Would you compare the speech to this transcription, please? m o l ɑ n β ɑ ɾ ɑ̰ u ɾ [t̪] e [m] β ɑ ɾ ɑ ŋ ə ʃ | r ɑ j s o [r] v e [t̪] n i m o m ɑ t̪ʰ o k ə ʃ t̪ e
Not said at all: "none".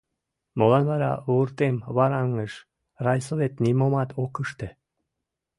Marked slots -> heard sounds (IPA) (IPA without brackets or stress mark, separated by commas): t̪, m, none, t̪